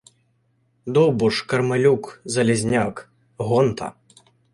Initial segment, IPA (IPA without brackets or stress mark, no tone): d̪